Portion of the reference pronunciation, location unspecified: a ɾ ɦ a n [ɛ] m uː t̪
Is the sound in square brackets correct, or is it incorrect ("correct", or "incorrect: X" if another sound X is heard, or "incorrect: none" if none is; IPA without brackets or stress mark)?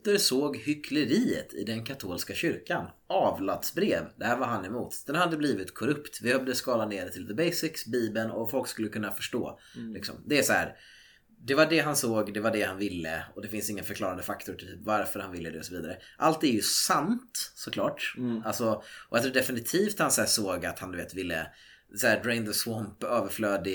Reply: correct